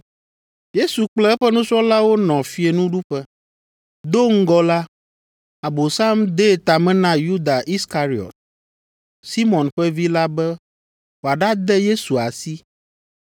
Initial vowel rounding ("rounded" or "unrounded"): unrounded